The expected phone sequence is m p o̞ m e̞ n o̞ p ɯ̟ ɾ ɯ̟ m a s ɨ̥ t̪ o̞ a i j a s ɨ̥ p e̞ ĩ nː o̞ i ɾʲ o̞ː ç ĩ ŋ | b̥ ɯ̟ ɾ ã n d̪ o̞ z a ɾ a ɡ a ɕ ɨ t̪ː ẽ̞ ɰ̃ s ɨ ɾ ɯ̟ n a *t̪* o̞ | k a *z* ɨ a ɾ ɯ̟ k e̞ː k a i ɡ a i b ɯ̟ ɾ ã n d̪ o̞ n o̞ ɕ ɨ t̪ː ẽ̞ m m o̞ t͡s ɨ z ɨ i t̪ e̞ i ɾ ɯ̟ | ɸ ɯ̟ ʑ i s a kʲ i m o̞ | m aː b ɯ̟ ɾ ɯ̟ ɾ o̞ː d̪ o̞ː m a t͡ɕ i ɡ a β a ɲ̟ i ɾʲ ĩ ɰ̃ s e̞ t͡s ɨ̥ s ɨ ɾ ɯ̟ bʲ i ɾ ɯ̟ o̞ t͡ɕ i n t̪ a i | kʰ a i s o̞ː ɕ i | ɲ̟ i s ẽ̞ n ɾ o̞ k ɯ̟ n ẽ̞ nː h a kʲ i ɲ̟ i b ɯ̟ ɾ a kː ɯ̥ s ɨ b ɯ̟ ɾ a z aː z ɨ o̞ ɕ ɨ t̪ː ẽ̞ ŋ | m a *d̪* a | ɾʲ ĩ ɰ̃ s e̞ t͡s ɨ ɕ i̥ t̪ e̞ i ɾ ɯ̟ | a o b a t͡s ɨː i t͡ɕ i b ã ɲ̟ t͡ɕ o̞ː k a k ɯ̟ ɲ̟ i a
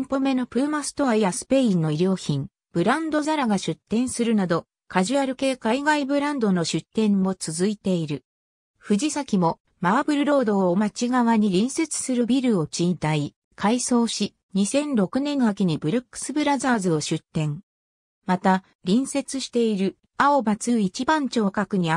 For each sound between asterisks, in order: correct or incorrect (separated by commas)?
incorrect, incorrect, incorrect